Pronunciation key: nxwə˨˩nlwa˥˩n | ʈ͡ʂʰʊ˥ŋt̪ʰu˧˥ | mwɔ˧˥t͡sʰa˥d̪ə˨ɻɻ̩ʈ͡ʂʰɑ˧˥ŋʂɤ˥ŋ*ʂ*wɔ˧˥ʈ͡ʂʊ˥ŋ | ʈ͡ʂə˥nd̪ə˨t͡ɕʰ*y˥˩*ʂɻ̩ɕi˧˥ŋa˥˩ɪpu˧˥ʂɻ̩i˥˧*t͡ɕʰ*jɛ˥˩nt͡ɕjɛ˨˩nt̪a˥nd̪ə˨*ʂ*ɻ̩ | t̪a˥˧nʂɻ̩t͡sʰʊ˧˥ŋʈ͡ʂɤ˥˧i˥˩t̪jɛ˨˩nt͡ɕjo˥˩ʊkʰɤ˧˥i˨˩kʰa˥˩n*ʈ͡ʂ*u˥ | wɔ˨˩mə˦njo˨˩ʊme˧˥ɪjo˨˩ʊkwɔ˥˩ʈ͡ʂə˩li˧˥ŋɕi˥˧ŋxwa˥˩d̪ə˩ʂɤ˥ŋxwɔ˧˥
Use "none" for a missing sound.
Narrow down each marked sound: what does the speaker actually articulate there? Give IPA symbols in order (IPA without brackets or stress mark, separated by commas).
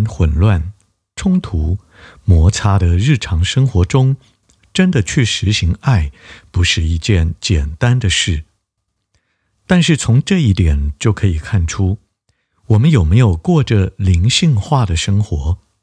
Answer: x, y˥˩, t͡ɕ, ʂ, ʈ͡ʂʰ